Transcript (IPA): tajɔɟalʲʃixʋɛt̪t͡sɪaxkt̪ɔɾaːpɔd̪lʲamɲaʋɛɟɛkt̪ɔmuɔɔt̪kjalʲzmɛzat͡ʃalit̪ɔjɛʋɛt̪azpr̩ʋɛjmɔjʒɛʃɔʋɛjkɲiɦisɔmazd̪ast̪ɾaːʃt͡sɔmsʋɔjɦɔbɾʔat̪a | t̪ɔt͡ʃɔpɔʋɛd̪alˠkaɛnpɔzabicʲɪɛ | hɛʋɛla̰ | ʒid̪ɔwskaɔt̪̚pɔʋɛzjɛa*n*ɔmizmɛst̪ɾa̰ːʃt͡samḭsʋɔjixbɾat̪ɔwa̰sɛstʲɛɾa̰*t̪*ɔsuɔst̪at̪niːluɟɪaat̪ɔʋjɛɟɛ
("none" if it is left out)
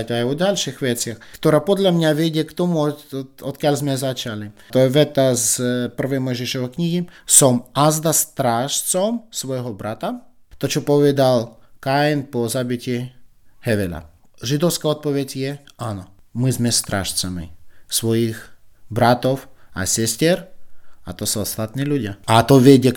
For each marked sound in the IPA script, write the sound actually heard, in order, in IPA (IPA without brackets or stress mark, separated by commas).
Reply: n, t̪